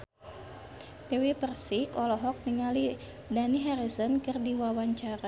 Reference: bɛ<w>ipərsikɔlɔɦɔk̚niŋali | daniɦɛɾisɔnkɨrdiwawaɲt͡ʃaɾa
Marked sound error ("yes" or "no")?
no